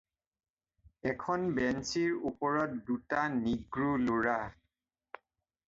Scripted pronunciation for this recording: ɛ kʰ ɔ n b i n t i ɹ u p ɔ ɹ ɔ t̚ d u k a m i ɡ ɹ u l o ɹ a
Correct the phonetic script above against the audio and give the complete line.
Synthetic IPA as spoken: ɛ kʰ ɔ n b ɛ n s i ɹ u p ɔ ɹ ɔ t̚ d u t a n i ɡ ɹ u l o ɹ a